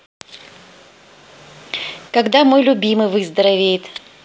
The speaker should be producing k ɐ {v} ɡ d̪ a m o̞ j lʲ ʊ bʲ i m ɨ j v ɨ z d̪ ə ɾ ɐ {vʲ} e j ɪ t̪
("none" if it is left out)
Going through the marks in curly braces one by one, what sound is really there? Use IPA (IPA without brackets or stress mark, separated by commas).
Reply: none, vʲ